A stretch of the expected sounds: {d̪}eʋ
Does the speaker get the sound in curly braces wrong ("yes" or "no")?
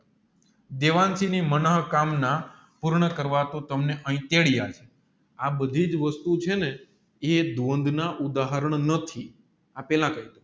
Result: no